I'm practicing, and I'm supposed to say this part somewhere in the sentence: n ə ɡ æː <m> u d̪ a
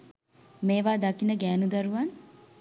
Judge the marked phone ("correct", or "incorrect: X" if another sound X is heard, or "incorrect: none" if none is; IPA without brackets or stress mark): incorrect: n